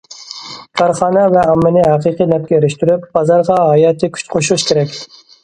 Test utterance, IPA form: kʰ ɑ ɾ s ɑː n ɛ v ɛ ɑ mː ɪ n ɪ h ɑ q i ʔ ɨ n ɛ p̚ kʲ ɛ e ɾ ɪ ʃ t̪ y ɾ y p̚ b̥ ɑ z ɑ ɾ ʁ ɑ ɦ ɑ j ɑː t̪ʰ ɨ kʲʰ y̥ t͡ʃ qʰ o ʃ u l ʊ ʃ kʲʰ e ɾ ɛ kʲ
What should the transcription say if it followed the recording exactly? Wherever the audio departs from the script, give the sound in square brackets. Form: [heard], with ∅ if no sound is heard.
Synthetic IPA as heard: kʰ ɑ ɾ [χ] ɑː n ɛ v ɛ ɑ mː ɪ n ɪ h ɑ q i [q] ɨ n ɛ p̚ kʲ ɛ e ɾ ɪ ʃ t̪ y ɾ y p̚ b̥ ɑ z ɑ ɾ ʁ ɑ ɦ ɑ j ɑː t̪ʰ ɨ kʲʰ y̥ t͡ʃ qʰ o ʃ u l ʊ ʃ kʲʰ e ɾ ɛ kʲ